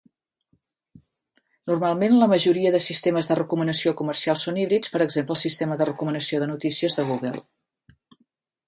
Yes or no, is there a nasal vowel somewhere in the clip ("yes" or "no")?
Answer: no